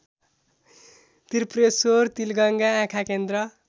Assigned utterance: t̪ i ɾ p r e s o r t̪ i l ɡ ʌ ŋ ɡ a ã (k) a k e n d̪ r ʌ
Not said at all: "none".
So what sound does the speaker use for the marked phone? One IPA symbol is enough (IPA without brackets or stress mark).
kʰ